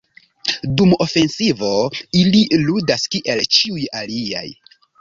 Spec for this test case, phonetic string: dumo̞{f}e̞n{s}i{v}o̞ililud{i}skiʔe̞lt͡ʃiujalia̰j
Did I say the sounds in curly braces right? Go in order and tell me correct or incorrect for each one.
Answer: correct, correct, correct, incorrect: a

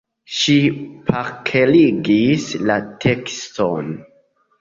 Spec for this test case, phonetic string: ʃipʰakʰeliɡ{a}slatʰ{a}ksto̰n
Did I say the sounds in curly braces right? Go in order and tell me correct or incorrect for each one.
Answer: incorrect: i, incorrect: e

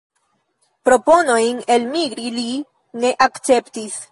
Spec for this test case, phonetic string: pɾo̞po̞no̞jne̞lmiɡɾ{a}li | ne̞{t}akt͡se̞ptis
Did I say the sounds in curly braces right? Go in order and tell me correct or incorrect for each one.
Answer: incorrect: i, incorrect: ʔ

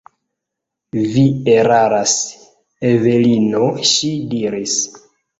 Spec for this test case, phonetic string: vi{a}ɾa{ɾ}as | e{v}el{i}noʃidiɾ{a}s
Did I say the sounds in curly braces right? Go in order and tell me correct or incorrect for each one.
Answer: incorrect: e, correct, correct, correct, incorrect: i

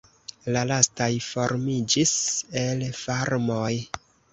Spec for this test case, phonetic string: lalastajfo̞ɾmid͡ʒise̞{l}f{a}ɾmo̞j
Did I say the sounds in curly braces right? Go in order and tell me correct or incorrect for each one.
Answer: correct, correct

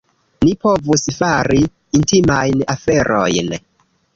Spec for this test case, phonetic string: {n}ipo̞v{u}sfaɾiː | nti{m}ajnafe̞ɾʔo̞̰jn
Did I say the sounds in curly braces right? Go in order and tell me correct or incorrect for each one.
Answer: correct, correct, correct

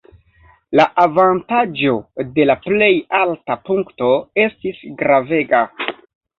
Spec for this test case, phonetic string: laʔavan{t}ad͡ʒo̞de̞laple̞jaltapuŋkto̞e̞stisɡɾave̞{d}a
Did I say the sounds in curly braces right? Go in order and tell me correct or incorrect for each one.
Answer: correct, incorrect: ɡ

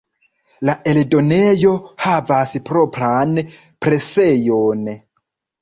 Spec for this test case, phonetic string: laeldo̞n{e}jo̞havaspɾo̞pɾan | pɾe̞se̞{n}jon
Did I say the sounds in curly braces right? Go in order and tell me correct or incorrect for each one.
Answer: correct, incorrect: none

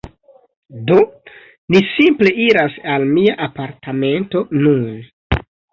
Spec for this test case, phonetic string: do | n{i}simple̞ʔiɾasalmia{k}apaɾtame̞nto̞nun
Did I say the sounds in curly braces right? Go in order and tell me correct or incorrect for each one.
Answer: correct, incorrect: ʔ

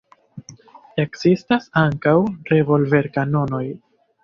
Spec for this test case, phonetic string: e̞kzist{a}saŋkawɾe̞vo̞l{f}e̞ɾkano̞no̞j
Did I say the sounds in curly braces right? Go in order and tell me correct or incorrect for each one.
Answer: correct, incorrect: v

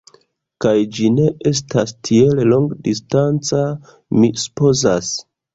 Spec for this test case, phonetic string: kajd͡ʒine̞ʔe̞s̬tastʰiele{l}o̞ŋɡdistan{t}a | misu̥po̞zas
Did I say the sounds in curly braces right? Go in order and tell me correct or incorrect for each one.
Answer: correct, incorrect: t͡s

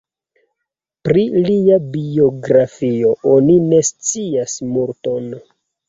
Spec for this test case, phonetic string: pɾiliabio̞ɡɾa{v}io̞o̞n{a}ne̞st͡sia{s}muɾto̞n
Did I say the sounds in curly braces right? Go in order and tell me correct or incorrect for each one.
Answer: incorrect: f, incorrect: i, correct

